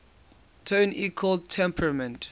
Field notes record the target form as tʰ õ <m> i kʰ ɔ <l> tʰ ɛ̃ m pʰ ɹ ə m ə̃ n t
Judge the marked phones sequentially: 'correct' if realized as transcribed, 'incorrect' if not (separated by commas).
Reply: incorrect, correct